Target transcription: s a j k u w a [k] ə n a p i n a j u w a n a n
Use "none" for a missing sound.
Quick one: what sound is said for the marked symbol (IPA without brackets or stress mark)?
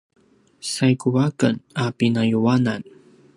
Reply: k